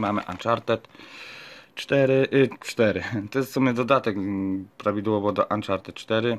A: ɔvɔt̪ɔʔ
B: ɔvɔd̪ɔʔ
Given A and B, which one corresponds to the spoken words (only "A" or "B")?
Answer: B